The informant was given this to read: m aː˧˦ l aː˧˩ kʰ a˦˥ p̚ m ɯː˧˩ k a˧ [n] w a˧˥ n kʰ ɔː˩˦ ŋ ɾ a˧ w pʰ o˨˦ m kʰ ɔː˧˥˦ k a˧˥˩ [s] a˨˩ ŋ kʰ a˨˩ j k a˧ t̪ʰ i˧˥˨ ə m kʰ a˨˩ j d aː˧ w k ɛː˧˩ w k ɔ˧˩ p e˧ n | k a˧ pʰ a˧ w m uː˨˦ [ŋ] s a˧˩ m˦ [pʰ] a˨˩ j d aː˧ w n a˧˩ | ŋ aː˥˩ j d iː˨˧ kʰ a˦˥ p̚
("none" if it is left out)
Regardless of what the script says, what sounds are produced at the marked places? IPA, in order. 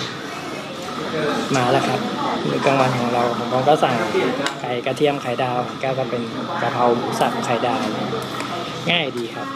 ŋ, s, none, kʰ

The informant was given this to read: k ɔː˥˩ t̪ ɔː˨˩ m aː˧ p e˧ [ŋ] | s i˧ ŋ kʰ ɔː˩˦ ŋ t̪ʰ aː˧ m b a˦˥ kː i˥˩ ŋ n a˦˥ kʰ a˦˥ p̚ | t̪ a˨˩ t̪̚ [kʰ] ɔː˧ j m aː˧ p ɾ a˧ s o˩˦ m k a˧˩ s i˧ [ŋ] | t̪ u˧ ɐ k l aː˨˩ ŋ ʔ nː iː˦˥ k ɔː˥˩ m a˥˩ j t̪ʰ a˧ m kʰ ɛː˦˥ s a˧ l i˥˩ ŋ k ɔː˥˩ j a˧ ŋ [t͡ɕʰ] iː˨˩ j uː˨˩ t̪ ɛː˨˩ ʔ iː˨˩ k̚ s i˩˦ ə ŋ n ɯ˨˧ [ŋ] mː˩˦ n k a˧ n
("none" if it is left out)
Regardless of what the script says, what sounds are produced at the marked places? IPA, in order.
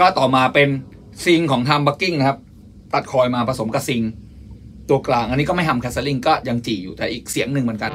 n, kʰ, ŋ, t͡ɕ, ŋ

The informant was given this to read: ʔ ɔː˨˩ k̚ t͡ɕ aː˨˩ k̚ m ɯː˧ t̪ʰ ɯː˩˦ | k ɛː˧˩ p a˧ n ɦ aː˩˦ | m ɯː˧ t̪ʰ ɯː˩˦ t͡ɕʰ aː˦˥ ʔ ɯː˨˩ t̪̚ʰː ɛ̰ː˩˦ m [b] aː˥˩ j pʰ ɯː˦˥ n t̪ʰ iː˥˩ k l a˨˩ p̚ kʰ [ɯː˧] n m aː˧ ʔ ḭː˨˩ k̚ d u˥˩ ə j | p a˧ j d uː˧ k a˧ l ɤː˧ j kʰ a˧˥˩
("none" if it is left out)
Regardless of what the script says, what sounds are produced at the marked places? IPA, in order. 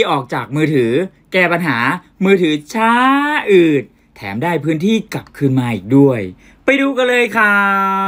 d, ɯː˧

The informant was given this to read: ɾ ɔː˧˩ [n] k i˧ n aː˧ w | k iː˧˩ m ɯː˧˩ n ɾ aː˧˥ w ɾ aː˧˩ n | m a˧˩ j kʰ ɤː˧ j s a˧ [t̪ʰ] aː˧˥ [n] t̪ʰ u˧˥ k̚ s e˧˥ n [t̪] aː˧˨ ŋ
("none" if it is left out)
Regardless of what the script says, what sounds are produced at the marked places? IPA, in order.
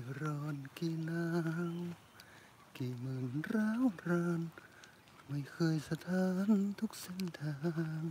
n, t̪ʰ, n, t̪ʰ

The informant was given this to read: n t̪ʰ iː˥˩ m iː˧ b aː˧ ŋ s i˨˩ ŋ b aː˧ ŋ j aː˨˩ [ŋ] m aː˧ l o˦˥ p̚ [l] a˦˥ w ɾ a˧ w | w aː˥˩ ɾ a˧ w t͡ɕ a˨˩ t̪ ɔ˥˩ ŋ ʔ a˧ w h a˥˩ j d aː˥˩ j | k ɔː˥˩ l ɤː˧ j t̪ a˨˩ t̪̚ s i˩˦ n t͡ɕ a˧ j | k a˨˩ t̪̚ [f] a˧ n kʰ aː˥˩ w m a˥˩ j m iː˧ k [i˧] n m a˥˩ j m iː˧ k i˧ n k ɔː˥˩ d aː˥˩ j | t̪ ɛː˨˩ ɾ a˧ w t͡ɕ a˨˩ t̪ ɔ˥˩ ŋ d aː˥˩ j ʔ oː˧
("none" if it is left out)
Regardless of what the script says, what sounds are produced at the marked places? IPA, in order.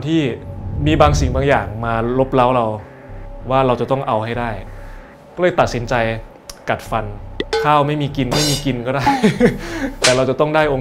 ŋ, l, f, i˧

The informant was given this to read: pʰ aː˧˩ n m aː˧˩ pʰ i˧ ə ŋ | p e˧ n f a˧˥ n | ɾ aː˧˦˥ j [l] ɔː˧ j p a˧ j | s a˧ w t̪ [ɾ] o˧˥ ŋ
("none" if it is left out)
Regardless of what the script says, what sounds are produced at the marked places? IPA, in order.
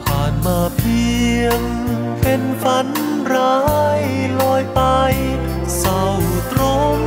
l, ɾ

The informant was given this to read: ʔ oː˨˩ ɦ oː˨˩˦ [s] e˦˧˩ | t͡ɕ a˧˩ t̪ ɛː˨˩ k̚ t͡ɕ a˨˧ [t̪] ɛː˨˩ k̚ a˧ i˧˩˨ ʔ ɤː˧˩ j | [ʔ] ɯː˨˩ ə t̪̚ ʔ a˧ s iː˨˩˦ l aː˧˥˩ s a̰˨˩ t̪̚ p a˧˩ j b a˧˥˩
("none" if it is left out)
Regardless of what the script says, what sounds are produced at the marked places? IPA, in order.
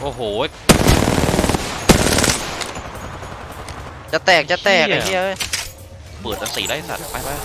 none, t̪, p

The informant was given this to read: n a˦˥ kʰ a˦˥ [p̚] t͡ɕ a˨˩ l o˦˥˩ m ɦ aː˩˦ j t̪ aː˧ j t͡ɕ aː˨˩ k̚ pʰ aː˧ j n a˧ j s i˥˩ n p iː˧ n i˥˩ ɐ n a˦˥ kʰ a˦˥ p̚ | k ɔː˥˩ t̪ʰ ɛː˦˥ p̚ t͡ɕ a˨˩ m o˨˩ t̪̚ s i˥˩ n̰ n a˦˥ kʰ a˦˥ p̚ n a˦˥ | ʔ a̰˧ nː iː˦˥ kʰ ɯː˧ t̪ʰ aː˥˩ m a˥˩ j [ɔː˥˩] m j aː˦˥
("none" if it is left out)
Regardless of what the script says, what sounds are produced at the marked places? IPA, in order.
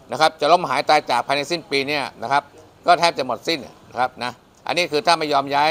p̚, ɔː˧

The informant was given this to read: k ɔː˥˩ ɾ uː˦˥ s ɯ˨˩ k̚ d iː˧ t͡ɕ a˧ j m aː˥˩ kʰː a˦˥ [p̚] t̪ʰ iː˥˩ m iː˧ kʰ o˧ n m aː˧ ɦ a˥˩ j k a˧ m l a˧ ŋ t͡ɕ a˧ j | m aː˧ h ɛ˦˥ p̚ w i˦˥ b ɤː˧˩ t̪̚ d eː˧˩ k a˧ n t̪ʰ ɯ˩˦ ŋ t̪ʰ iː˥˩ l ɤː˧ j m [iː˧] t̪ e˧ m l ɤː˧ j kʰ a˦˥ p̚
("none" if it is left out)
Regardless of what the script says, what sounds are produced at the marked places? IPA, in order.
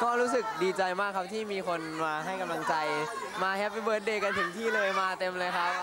p̚, aː˧

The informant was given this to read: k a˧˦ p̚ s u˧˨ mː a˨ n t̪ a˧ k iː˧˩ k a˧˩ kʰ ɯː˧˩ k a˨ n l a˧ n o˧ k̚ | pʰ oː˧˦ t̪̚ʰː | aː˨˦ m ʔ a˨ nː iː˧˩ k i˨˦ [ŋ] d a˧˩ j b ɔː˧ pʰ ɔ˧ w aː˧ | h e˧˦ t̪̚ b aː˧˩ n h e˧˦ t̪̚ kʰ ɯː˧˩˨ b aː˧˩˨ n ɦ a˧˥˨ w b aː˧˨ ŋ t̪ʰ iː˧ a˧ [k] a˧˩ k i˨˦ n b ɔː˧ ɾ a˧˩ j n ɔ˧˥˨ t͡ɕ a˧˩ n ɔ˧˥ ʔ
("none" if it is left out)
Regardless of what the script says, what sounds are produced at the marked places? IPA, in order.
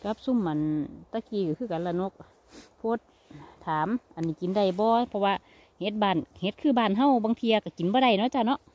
n, k

